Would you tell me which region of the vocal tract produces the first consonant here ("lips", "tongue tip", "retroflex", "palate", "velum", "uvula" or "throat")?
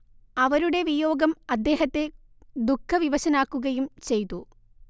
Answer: lips